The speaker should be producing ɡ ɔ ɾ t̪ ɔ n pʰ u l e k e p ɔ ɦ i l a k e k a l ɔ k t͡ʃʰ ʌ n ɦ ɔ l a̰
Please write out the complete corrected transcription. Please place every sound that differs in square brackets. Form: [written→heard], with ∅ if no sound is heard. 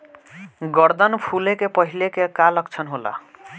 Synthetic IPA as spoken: ɡ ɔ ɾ [t̪→d̪] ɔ n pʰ u l e k e p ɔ ɦ i l [a→e] k e k a l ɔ k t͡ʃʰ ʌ n ɦ [ɔ→o] l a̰